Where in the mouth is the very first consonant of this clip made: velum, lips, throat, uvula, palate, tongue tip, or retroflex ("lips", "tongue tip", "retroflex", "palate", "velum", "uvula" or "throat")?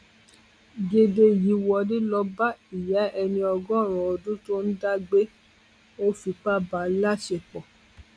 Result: velum